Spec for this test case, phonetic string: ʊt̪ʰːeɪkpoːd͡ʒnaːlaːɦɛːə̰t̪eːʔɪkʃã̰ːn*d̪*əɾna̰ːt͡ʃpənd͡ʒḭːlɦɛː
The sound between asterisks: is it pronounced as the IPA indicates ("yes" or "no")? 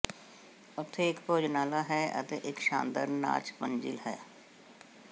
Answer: yes